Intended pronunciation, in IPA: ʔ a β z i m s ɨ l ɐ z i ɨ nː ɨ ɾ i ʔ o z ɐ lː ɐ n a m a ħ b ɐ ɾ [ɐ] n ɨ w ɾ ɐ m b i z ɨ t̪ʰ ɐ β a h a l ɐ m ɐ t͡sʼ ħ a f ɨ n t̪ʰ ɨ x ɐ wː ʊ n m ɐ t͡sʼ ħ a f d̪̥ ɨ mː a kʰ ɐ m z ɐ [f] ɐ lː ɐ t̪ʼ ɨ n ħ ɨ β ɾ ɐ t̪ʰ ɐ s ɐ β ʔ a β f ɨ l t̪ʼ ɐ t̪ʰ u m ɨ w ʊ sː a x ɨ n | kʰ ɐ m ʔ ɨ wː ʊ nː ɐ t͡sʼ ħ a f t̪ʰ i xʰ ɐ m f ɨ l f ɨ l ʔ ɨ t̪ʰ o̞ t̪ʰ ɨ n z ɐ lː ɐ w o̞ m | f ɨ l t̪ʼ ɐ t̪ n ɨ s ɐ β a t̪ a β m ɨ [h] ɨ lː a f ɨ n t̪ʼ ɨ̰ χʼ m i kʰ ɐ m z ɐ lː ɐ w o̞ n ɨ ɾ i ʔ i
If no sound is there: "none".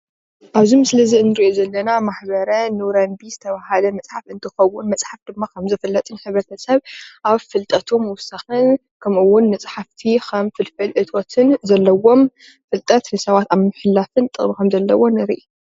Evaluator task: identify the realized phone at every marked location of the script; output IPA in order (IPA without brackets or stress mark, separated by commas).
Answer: ɐ, f, ħ